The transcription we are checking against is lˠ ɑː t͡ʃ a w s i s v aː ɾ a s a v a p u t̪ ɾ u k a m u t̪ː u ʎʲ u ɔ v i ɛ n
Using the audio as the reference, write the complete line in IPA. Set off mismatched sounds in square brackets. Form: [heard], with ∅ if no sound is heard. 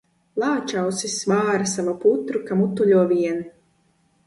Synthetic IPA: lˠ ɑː t͡ʃ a w s i s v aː ɾ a s a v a p u t̪ ɾ u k a m u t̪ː u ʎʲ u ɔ v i ɛ n